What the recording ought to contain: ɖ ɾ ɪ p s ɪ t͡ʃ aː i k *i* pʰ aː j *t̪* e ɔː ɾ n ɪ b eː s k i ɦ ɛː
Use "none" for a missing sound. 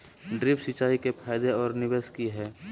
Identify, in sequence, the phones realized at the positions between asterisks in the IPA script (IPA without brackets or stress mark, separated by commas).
e, d̪